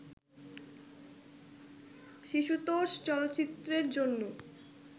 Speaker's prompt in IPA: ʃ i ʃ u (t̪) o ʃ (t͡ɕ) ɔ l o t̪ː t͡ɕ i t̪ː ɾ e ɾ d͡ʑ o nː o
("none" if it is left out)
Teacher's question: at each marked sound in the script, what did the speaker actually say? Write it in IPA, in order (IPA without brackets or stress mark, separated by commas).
t̪, t͡ɕ